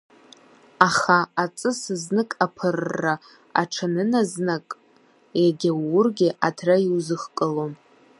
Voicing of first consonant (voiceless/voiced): voiceless